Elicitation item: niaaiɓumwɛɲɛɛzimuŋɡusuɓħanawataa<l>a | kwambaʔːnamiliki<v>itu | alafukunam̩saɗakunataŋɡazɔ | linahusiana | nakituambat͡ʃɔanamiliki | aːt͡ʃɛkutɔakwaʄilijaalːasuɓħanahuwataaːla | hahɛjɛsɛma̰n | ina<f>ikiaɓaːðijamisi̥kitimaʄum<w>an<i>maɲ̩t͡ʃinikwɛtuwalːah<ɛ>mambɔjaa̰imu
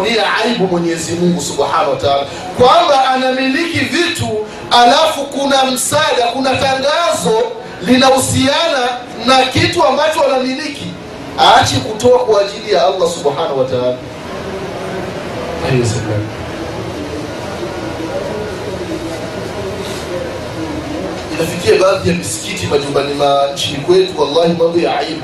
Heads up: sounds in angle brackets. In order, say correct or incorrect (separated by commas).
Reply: correct, correct, correct, incorrect, correct, incorrect